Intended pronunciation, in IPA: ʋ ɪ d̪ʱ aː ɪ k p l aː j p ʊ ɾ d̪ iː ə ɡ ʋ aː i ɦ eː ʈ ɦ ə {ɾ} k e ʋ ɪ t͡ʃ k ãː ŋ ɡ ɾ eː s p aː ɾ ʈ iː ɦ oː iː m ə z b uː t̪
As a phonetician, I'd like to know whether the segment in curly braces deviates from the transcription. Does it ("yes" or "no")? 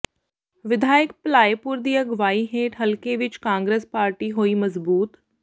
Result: yes